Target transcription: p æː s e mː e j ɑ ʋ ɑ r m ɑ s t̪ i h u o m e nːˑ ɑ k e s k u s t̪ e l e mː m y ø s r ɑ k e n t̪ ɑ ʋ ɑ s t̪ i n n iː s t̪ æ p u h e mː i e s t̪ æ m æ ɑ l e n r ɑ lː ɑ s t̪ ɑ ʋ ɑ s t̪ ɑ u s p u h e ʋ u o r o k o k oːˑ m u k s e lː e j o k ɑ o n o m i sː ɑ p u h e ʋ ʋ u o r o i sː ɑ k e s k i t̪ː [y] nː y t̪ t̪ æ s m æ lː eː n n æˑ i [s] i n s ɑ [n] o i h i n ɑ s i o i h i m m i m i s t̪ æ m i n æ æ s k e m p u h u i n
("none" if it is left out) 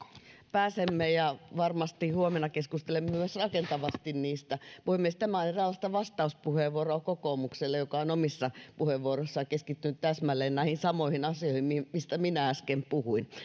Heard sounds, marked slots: y, h, m

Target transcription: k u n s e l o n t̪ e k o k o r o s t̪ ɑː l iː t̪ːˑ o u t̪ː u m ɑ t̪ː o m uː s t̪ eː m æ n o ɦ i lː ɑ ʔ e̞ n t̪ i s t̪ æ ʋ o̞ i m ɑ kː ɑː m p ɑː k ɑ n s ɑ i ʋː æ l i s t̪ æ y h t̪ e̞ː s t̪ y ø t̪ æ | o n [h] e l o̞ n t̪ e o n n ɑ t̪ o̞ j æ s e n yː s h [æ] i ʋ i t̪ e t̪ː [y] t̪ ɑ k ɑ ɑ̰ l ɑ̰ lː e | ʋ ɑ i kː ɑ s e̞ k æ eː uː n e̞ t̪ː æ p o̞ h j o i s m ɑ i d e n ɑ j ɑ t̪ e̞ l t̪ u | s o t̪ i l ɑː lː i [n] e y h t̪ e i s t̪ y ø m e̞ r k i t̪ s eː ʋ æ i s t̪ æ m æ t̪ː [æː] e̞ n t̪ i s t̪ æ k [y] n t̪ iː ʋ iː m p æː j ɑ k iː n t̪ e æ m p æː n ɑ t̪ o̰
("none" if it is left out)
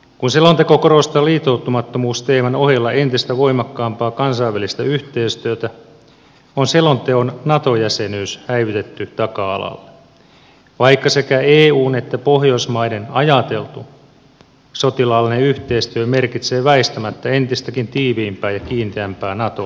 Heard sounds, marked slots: s, æ, y, n, æ, i

